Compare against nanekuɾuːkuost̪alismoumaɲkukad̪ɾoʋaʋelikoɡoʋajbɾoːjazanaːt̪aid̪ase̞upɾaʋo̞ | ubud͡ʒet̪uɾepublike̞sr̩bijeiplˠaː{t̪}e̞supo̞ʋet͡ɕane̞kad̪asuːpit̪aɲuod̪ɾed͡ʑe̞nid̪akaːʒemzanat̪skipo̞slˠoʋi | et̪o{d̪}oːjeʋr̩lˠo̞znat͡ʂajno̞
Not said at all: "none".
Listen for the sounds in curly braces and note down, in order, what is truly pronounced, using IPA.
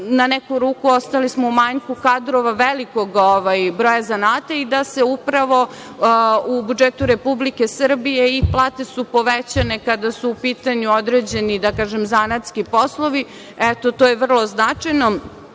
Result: t̪, t̪

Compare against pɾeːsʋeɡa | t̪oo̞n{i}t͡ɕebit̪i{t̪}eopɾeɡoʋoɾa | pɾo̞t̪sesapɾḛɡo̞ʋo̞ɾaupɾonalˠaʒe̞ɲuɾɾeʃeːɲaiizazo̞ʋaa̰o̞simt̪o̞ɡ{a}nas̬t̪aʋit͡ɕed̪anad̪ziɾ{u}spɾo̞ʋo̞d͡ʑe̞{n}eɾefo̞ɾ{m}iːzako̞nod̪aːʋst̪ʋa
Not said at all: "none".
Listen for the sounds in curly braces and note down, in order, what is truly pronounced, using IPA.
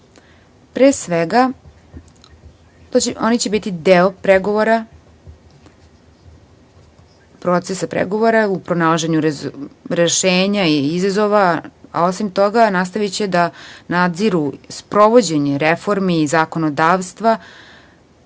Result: i, d̪, a, u, ɲ, m

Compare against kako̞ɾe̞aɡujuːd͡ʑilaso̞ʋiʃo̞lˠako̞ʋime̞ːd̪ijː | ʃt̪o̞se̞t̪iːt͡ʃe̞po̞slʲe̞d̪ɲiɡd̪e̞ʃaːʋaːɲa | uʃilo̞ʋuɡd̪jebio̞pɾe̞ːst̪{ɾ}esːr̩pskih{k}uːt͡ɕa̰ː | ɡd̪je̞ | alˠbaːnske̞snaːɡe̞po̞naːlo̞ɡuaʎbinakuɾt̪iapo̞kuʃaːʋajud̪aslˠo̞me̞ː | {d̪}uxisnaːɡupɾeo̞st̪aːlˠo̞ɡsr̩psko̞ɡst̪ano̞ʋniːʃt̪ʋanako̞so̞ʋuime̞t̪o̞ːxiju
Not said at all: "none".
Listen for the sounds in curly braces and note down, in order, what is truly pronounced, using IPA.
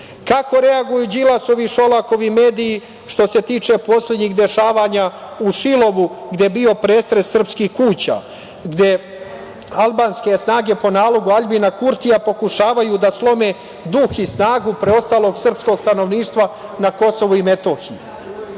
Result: ɾ, k, d̪

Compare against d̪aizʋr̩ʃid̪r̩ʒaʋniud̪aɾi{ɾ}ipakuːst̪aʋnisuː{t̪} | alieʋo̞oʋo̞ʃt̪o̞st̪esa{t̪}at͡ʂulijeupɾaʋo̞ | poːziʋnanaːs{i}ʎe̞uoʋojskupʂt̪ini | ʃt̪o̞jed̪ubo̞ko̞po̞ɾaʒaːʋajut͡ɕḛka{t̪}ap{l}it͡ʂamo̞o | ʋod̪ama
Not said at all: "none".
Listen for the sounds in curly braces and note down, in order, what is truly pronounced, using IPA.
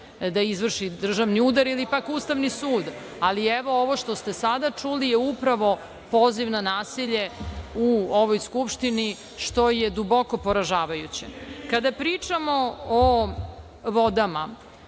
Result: l, d̪, d̪, i, d̪, ɾ

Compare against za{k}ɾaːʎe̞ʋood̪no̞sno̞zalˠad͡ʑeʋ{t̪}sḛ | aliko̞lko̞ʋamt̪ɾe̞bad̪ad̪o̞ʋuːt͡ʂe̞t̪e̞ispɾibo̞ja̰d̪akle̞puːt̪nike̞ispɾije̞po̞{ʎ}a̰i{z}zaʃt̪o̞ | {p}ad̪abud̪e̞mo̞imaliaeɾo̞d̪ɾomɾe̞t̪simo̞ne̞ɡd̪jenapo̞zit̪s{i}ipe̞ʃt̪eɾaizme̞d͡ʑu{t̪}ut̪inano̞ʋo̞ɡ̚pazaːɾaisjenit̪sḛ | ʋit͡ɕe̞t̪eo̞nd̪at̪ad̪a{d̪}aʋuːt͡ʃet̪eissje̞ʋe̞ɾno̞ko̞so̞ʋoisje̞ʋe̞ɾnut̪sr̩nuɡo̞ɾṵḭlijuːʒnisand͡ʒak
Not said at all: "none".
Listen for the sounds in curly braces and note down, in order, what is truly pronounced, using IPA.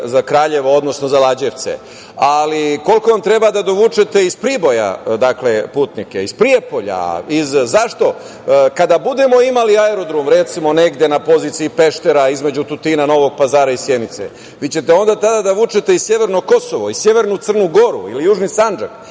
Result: k, t̪, ʎ, z, k, i, t̪, d̪

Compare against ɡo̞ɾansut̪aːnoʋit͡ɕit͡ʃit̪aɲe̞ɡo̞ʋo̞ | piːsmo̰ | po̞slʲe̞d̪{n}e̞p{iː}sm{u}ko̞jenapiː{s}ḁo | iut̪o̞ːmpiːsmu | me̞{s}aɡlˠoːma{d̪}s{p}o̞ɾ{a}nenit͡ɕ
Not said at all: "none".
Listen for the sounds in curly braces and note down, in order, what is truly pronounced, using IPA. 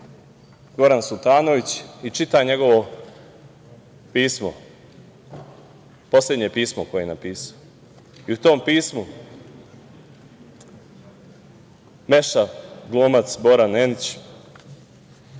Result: ɲ, iː, o, s, ʃ, t̪, b, a

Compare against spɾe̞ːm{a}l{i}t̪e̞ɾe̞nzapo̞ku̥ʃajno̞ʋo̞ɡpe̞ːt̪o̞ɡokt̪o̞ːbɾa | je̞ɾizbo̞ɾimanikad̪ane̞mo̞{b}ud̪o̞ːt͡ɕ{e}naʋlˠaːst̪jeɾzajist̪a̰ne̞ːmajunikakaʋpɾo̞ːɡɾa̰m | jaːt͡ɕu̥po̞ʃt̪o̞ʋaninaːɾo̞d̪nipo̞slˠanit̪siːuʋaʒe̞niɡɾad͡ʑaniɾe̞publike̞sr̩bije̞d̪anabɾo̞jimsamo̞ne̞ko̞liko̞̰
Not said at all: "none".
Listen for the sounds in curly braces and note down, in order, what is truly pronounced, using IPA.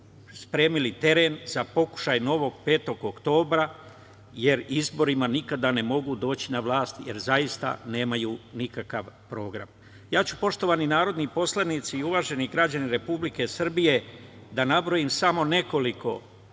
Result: i, i, ɡ, i

